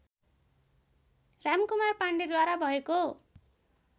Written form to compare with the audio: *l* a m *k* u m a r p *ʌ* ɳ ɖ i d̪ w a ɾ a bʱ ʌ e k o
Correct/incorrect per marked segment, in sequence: incorrect, correct, incorrect

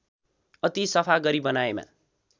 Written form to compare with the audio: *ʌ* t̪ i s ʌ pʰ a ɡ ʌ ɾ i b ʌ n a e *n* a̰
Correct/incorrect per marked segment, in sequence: correct, incorrect

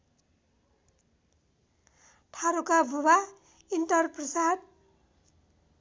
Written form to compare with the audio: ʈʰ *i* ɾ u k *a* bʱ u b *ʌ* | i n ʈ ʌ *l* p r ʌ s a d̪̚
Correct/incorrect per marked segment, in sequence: incorrect, correct, incorrect, incorrect

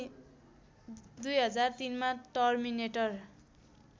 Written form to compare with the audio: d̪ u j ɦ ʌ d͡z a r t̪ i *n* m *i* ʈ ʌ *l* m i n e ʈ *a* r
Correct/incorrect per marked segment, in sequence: correct, incorrect, incorrect, incorrect

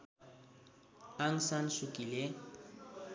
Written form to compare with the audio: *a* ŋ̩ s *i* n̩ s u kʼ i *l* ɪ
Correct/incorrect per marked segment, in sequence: correct, incorrect, correct

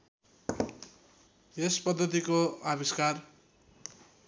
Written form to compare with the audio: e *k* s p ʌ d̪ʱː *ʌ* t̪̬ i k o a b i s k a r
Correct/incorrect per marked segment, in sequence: incorrect, correct

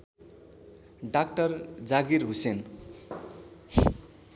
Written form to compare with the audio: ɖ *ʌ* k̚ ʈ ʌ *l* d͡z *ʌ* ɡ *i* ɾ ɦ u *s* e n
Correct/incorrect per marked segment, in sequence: incorrect, incorrect, incorrect, correct, correct

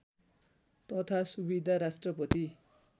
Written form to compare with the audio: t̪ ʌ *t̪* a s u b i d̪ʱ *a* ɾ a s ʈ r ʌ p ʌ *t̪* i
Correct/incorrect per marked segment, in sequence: incorrect, correct, correct

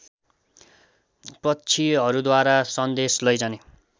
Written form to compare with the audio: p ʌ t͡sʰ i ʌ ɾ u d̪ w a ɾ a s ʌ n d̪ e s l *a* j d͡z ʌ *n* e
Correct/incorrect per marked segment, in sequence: incorrect, correct

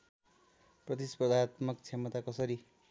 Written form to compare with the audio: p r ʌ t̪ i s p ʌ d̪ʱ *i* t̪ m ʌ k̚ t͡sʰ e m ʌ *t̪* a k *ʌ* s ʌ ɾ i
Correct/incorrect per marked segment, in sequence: incorrect, correct, correct

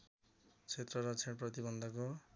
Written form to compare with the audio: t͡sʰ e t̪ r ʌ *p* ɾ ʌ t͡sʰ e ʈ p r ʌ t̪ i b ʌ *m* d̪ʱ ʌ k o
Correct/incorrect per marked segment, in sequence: incorrect, incorrect

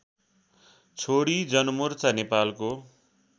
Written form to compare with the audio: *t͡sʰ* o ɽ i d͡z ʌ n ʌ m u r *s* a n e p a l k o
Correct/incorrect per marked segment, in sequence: correct, incorrect

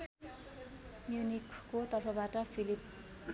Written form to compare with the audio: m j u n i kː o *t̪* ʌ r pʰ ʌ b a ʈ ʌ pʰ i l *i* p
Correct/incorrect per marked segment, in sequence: correct, correct

